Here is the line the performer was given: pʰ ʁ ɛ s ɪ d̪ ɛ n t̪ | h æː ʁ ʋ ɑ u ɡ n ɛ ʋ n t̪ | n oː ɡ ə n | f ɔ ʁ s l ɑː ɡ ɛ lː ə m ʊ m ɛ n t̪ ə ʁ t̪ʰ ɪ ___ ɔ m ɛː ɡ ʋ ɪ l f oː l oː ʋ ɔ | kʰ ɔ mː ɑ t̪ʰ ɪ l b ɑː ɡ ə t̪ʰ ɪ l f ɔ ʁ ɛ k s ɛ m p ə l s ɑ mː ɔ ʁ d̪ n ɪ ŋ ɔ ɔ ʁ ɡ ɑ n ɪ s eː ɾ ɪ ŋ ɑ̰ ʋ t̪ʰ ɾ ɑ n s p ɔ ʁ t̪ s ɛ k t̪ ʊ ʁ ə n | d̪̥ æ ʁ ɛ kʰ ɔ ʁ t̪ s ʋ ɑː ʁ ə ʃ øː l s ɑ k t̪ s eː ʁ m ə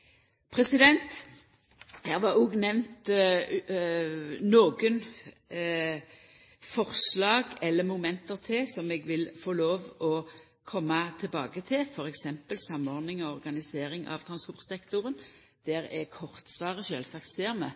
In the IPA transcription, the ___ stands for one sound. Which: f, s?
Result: s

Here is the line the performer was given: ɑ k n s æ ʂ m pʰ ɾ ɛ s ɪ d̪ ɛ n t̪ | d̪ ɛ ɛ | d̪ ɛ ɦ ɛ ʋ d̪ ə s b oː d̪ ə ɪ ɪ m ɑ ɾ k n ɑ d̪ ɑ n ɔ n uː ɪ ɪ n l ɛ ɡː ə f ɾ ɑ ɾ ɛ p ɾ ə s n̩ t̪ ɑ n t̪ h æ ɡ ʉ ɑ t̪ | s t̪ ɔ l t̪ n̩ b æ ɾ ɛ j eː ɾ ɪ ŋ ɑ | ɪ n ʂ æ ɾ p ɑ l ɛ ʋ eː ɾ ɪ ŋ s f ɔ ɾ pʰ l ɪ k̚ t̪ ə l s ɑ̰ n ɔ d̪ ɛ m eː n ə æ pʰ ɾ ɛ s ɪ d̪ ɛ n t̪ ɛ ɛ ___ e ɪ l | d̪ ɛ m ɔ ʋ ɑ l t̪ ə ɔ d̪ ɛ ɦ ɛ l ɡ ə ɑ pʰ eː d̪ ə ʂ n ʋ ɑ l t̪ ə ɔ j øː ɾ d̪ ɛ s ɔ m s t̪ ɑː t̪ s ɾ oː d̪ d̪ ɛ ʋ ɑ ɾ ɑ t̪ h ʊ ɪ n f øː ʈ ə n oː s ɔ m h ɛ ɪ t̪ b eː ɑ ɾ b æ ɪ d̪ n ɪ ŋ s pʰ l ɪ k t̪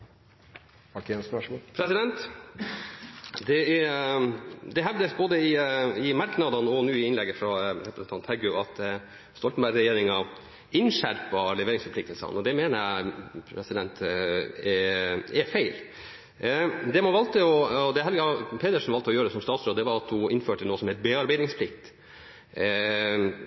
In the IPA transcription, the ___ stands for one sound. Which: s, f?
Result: f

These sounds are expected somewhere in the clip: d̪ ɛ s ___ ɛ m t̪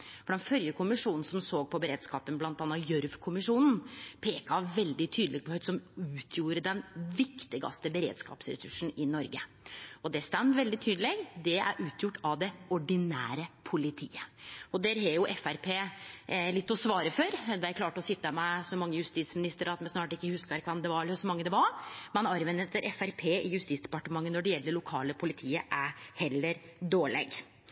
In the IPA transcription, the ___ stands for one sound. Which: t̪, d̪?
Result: t̪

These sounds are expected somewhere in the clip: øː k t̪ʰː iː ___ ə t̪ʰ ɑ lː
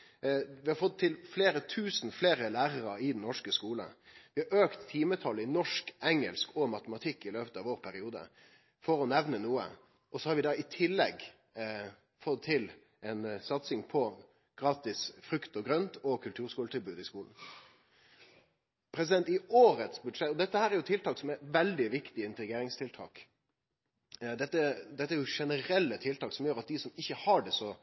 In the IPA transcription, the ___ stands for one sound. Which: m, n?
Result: m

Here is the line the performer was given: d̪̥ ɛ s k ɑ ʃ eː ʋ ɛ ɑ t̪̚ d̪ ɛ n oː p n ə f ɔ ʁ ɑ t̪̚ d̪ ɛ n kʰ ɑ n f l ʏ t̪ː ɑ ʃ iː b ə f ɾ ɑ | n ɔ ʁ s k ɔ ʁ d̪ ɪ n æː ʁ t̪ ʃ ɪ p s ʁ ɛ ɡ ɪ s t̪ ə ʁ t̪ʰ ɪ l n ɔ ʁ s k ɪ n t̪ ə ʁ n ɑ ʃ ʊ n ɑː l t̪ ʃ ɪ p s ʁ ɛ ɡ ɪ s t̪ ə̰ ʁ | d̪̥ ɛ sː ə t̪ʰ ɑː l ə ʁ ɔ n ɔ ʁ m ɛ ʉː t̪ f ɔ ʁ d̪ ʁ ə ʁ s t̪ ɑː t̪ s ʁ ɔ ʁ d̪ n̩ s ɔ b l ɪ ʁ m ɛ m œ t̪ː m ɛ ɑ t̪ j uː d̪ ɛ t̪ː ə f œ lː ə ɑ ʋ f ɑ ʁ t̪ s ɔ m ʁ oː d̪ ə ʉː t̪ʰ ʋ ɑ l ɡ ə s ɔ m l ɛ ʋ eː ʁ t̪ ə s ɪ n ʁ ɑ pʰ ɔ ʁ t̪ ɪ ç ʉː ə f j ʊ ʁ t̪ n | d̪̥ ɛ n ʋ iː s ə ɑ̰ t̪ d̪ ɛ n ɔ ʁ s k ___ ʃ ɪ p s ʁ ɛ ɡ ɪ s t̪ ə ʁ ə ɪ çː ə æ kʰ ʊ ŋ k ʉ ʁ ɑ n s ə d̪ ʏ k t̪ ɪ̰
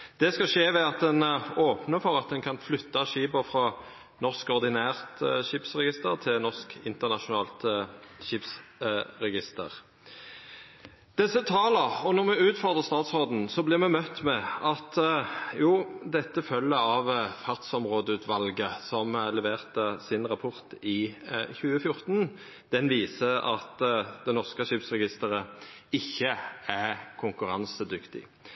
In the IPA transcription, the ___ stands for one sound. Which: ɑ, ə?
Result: ə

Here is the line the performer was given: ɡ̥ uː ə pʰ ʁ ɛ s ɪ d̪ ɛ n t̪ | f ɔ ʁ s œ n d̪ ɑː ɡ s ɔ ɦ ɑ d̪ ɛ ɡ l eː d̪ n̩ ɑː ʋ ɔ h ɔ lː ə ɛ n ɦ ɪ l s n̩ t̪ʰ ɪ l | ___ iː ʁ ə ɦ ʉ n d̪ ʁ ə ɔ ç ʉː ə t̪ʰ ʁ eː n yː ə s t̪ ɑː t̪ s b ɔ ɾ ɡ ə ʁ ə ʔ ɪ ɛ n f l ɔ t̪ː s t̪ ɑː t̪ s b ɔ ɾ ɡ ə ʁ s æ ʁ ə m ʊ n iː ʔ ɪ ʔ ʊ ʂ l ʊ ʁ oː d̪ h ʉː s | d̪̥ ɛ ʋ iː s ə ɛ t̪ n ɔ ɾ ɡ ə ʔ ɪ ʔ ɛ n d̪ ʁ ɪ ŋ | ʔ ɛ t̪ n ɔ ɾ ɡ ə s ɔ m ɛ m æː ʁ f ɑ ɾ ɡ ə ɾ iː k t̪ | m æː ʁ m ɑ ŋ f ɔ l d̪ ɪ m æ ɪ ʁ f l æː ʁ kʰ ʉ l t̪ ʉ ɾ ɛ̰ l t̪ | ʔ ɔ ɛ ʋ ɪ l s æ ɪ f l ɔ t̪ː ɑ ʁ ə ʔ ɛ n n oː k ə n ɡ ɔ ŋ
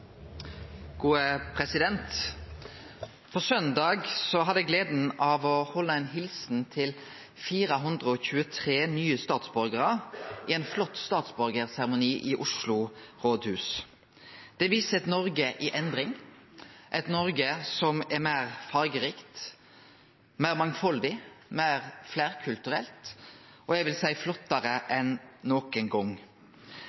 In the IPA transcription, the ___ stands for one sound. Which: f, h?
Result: f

